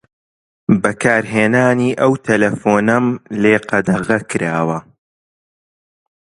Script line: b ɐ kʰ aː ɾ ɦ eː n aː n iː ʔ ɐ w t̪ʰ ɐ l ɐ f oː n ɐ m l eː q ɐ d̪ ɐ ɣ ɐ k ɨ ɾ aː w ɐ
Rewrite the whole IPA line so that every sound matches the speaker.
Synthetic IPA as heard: b ɐ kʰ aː ɾ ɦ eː n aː n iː ʔ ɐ w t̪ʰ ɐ l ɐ f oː n ɐ m l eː q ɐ d̪ ɐ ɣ ɐ k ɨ ɾ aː w ɐ